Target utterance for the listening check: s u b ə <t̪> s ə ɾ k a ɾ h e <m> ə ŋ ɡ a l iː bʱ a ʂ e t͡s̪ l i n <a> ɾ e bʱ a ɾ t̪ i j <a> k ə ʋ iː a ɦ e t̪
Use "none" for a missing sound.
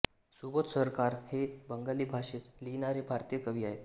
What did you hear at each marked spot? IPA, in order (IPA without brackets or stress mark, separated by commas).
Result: t̪, b, a, ə